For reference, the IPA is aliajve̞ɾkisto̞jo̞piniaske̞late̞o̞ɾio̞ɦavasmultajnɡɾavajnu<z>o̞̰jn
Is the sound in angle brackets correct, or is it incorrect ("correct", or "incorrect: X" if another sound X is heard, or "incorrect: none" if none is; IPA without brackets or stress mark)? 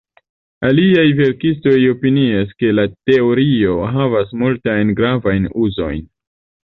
correct